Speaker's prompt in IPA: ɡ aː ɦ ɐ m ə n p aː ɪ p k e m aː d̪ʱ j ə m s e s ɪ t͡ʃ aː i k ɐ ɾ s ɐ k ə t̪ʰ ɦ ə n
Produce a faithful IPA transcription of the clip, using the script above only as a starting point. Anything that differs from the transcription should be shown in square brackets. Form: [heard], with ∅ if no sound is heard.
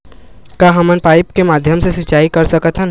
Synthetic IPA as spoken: [k] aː ɦ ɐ m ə n p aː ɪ p k e m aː d̪ʱ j ə m s e s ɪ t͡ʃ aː i k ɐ ɾ s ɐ k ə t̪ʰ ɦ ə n